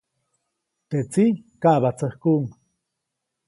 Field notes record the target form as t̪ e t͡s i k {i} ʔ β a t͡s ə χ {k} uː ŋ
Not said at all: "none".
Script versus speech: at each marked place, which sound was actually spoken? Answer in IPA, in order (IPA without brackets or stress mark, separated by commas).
a, k